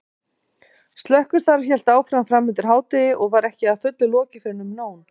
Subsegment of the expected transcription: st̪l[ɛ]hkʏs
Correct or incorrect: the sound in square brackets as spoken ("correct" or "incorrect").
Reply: incorrect